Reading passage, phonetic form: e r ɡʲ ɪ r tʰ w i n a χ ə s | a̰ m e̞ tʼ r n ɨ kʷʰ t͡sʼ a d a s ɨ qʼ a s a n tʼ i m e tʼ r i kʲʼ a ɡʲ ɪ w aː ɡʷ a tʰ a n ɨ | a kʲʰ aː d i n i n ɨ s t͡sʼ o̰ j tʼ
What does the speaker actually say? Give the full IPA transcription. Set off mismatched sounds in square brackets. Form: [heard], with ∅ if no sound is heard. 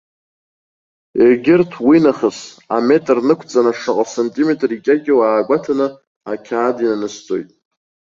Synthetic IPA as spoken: e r ɡʲ ɪ r tʰ w i n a χ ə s | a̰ m e̞ tʼ r n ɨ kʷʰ t͡sʼ a [n] a [ʂ] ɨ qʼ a s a n tʼ i m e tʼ r i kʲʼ a ɡʲ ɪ w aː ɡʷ a tʰ a n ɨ | a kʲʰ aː d i n [a] n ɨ s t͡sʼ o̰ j tʼ